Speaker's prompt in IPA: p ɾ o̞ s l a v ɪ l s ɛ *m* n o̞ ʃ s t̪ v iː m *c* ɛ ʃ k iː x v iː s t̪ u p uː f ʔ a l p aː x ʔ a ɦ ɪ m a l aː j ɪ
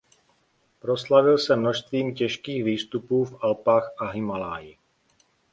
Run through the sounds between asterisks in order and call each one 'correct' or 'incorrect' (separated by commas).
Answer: correct, correct